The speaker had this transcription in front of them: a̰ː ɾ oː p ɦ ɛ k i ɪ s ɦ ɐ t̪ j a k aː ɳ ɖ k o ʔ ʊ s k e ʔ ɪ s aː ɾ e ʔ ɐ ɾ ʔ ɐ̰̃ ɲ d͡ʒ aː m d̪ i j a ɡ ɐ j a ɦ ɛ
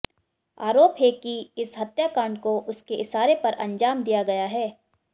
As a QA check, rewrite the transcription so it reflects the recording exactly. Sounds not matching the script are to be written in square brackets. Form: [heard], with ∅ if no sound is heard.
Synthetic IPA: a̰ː ɾ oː p ɦ ɛ k i ɪ s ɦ ɐ t̪ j a k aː ɳ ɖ k o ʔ ʊ s k e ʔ ɪ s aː ɾ e [p] ɐ ɾ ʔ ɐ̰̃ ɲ d͡ʒ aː m d̪ i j a ɡ ɐ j a ɦ [ɛː]